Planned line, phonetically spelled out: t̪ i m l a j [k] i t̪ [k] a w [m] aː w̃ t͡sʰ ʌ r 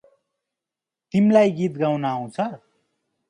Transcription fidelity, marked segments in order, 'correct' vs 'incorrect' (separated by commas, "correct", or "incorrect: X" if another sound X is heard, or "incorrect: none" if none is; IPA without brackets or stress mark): incorrect: ɡ, incorrect: ɡ, incorrect: n